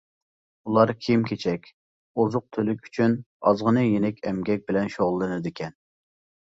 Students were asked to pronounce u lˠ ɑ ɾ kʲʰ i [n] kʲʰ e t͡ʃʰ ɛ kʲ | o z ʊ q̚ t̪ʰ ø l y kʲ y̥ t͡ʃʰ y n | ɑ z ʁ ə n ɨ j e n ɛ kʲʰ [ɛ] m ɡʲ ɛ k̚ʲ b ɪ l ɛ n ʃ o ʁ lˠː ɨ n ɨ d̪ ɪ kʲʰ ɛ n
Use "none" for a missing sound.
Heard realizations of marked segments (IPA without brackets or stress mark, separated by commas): m, ɛ